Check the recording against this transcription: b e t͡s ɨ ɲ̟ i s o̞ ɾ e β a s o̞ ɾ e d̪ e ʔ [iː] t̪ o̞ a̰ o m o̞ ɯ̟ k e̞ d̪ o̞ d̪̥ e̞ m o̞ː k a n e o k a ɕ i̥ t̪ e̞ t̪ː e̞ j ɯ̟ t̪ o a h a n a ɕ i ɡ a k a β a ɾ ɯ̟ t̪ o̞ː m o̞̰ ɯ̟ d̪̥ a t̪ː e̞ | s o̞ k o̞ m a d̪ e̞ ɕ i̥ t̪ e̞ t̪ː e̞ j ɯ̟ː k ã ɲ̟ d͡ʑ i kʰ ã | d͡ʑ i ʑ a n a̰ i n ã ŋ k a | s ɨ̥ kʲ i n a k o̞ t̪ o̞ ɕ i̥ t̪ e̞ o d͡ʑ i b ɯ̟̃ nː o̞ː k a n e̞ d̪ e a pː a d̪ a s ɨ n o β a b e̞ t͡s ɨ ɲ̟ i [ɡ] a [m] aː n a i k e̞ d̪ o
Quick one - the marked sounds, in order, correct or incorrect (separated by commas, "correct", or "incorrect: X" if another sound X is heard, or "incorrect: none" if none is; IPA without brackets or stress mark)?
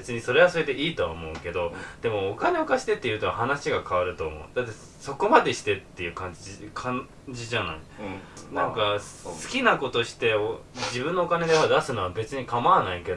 correct, incorrect: k, correct